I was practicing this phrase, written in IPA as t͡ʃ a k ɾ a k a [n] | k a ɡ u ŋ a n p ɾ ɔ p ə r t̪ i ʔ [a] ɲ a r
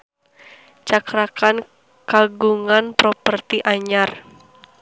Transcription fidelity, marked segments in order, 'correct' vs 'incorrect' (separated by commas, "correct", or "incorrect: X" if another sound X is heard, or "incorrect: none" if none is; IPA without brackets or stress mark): correct, correct